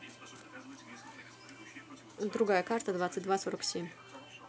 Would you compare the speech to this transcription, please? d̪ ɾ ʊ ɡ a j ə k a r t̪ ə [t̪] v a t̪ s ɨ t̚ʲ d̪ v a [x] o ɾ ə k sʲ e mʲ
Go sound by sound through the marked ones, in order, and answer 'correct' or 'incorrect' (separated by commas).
incorrect, incorrect